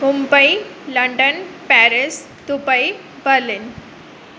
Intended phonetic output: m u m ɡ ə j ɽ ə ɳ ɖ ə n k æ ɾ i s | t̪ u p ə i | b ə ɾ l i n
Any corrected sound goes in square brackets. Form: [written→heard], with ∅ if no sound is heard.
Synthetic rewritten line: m u m [ɡ→b] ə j [ɽ→l] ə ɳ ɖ ə n [k→p] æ ɾ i s | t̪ u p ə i | b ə ɾ l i n